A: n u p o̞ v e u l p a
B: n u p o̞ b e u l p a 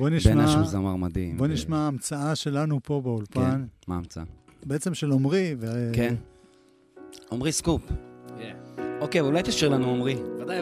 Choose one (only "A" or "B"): B